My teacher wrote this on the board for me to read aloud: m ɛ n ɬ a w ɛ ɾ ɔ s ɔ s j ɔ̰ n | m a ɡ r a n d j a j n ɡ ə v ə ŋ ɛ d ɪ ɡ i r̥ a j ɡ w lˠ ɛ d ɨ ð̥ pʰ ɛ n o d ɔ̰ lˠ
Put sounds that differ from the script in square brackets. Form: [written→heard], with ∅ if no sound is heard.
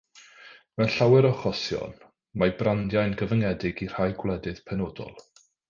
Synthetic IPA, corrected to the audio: m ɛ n ɬ a w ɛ ɾ ɔ [s→χ] ɔ s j ɔ̰ n | m a [ɡ→b] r a n d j a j n ɡ ə v ə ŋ ɛ d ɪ ɡ i r̥ a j ɡ w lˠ ɛ d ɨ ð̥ pʰ ɛ n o d ɔ̰ lˠ